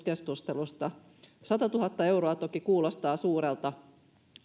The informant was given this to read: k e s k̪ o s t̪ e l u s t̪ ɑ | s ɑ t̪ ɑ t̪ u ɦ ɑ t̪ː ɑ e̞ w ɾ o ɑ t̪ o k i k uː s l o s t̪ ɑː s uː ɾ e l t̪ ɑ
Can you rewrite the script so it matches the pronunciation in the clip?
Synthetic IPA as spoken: k e s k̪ u s t̪ e l u s t̪ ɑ | s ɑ t̪ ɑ t̪ u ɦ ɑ t̪ː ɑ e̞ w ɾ o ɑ t̪ o k i k uː l o s t̪ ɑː s uː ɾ e l t̪ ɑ